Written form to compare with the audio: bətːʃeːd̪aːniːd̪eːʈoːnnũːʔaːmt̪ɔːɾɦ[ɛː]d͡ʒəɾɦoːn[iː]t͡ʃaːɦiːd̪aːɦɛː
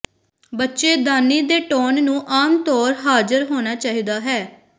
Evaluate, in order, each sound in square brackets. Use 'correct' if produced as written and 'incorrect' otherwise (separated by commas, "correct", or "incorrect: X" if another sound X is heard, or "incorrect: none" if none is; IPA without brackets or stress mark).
incorrect: aː, incorrect: aː